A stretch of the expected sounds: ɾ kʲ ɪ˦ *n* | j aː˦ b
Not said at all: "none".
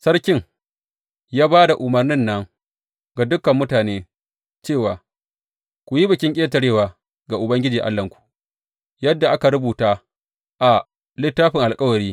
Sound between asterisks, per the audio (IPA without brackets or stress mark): ŋ